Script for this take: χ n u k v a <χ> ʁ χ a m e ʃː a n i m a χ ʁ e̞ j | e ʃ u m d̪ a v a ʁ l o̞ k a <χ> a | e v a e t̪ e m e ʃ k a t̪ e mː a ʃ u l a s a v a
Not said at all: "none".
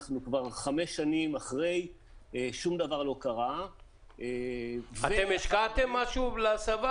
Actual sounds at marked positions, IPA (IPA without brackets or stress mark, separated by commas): none, ʁ